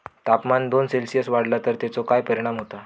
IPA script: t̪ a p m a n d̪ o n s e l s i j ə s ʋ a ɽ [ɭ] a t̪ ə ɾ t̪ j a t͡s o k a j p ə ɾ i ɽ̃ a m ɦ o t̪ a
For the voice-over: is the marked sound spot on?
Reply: no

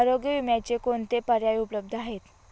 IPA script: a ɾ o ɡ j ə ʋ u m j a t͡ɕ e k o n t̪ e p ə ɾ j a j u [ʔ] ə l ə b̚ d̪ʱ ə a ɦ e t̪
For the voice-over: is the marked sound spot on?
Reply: no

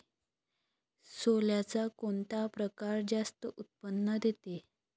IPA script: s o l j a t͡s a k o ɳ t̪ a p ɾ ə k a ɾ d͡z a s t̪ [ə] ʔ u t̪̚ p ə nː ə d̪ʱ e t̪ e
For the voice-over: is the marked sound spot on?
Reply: yes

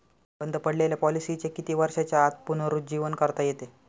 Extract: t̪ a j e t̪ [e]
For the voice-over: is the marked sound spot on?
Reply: yes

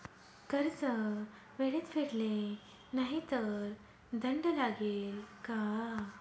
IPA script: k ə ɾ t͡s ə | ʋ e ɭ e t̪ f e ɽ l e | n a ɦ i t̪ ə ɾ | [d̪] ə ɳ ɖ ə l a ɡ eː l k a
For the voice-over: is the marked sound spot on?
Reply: yes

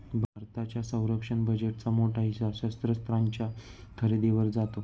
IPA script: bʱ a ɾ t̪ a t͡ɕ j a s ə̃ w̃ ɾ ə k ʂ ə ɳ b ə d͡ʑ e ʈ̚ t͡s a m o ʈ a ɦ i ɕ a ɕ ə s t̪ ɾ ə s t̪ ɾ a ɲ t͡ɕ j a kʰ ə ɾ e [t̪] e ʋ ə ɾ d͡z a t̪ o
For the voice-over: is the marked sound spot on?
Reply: no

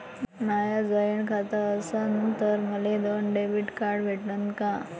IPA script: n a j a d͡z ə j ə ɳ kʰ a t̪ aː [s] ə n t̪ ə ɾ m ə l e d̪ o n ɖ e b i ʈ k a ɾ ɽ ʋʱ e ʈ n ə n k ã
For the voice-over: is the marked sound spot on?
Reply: yes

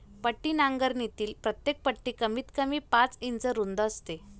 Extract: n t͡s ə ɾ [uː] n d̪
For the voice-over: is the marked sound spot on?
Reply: no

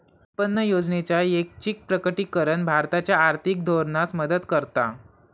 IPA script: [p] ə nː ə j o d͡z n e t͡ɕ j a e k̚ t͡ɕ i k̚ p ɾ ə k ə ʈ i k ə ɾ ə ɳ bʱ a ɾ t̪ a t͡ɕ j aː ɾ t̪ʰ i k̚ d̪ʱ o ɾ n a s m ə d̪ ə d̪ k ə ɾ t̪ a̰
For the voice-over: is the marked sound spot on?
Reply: yes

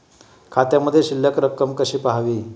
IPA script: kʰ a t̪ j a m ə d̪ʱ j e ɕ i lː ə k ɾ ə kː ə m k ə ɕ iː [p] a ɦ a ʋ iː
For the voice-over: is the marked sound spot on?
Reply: yes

